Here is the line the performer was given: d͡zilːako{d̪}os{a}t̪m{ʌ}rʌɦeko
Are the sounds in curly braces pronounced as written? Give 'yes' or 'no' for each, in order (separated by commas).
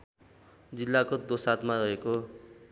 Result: yes, yes, no